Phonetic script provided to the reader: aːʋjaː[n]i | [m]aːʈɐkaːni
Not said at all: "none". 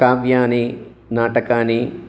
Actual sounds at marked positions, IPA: n, n

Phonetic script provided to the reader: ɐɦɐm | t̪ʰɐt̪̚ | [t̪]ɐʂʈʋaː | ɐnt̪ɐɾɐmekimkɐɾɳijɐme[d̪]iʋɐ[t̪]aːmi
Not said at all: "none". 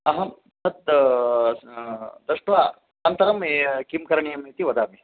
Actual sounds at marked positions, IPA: d̪, t̪, d̪

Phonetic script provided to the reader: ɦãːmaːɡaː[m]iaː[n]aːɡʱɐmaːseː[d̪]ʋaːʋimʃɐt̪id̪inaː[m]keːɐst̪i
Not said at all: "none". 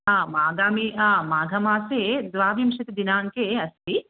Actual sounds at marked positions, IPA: m, m, d̪, ŋ

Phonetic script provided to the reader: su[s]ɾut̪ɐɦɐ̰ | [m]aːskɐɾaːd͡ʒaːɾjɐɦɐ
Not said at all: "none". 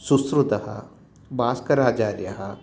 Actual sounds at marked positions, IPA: s, b

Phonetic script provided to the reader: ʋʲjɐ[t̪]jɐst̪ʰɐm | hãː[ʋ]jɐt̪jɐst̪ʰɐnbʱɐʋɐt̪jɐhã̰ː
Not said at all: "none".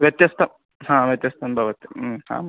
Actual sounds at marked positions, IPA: t̪, ʋ

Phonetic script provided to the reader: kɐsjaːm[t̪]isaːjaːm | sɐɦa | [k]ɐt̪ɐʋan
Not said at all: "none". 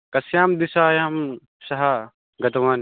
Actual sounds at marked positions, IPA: d̪, ɡ

